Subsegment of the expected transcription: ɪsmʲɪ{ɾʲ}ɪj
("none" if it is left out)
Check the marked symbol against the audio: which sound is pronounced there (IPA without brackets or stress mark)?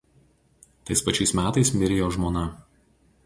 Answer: ɾʲ